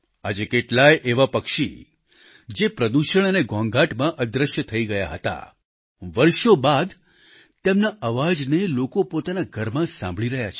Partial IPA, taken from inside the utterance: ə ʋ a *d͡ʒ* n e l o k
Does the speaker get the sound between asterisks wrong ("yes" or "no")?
no